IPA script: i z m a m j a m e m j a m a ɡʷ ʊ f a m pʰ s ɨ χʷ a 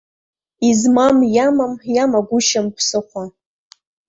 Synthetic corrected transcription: i z m a m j a m a m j a m a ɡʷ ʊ ʃ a m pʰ s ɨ χʷ a

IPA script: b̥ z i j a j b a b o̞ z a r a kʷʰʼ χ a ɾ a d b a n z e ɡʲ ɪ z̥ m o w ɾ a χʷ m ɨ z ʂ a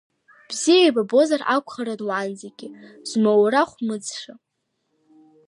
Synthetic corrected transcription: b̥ z i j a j b a b o̞ z a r a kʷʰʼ χ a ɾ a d w a n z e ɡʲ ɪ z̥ m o w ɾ a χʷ m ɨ d͡z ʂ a

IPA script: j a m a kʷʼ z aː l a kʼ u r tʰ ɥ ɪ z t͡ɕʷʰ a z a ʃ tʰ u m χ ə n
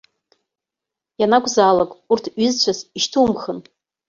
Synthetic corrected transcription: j a n a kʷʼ z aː l a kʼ u r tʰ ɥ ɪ z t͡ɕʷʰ a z i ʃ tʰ u m χ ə n

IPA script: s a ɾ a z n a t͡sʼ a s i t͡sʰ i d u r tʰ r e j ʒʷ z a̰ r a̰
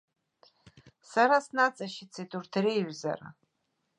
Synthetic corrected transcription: s a ɾ a s n a t͡sʼ a ʃ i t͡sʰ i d u r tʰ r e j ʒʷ z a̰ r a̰

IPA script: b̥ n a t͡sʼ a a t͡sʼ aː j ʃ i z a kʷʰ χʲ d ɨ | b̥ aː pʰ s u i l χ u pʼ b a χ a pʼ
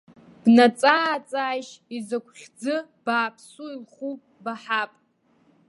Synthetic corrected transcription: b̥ n a t͡sʼ a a t͡sʼ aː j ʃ i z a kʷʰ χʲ d͡z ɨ | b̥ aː pʰ s u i l χ u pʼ b a ħ a pʼ

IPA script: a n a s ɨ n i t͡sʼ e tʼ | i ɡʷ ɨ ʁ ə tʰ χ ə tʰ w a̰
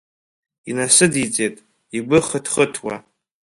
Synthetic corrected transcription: i n a s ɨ d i t͡sʼ e tʼ | i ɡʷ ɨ χ ə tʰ χ ə tʰ w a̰

